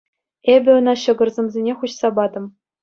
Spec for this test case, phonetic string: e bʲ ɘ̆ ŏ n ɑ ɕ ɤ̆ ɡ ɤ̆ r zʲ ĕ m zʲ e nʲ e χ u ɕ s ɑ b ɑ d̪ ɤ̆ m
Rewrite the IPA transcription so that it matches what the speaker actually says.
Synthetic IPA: e bʲ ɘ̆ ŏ n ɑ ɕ ɤ̆ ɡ ɤ̆ r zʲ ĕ m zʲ e nʲ e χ u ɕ s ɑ b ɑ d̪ ɤ̆ m